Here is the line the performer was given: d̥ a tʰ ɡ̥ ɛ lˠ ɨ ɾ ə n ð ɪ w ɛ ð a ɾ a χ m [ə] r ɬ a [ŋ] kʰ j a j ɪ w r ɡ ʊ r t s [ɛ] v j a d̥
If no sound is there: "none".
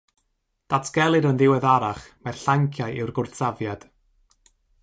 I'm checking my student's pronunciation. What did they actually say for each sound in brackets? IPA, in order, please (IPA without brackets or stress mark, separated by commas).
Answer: a, ŋ, a